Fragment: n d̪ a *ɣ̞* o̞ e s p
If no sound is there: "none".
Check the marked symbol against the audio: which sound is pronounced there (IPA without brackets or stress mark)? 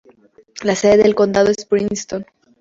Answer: ð̞